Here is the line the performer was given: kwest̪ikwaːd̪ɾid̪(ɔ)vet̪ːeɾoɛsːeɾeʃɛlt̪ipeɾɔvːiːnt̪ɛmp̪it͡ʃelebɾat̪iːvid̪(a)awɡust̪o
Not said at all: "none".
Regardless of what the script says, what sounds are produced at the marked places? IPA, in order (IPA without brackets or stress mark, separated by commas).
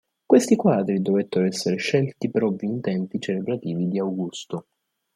o, i